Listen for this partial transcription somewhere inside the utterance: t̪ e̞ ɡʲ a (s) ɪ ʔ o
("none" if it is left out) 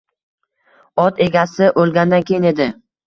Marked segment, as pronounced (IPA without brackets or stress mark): s